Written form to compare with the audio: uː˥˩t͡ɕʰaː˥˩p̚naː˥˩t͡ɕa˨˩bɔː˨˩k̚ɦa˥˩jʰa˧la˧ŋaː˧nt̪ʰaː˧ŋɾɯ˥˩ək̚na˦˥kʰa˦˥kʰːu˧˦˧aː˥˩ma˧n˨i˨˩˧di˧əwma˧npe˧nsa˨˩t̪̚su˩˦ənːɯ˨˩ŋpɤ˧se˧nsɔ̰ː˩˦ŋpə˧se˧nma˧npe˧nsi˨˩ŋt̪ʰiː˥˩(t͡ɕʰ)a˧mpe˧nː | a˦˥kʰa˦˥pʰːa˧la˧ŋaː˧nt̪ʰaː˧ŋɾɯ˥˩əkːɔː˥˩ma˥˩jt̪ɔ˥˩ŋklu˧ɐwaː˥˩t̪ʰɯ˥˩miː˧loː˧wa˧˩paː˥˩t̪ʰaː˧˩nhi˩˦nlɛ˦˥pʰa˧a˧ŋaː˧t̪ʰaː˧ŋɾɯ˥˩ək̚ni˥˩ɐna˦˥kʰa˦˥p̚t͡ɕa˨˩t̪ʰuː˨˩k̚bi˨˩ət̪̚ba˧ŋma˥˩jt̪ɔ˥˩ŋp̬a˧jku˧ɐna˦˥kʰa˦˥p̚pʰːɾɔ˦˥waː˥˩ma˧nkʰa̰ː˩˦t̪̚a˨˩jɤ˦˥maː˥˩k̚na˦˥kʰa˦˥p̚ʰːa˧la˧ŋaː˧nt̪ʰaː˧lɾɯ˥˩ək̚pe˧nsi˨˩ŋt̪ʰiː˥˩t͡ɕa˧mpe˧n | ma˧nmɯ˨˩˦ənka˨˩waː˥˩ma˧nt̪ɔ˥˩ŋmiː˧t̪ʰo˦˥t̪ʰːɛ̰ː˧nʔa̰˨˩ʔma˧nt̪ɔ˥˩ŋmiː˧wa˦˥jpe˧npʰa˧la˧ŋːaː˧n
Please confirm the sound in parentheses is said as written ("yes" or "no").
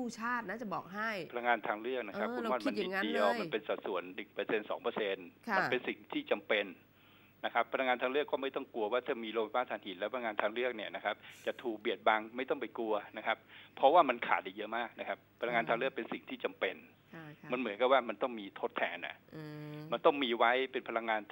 no